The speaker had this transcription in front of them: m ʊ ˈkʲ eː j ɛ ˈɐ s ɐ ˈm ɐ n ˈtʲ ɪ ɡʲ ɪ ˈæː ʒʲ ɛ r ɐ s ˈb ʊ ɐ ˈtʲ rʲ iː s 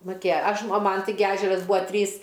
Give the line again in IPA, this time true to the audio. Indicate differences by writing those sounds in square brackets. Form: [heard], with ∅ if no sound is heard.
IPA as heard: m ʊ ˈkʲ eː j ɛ ˈɐ [ʃ] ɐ ˈm ɐ n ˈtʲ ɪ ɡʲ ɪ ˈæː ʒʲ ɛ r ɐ s ˈb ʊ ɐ ˈtʲ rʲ iː s